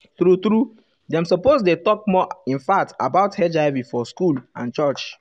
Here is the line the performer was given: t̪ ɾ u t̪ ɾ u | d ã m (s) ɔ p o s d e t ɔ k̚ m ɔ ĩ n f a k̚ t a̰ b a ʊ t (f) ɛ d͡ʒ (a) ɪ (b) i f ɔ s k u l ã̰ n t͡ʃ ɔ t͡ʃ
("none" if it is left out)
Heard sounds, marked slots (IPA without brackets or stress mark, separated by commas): s, h, a, v